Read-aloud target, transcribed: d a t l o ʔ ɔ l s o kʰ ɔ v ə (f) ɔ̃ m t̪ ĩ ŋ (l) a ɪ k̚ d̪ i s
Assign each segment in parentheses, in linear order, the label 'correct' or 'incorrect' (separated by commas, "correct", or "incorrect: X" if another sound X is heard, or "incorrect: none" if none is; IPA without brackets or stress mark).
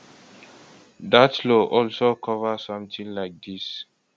incorrect: s, correct